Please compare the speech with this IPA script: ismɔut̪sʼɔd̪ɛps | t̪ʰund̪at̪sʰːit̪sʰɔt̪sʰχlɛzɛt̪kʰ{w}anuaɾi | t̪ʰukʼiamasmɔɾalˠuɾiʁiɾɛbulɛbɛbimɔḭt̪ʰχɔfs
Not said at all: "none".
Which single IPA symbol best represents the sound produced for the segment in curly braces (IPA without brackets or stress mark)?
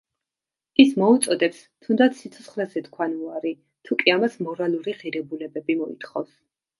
w